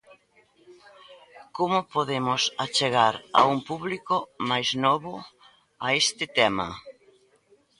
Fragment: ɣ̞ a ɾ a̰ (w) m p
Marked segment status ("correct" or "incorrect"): incorrect